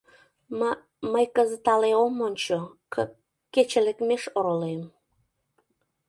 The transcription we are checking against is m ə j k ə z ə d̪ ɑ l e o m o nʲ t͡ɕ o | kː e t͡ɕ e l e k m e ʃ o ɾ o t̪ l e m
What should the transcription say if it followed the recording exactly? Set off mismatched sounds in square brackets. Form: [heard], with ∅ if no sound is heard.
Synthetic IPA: m ə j k ə z ə [t̪] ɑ l e o m o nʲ t͡ɕ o | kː e t͡ɕ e l e k m e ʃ o ɾ o [∅] l e m